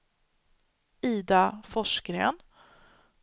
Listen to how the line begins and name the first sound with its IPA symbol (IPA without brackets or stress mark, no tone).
iː